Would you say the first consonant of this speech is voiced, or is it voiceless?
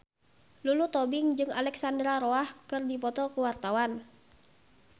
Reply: voiced